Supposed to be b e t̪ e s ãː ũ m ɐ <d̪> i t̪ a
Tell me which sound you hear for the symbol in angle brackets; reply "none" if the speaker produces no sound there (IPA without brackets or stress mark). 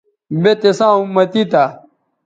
t̪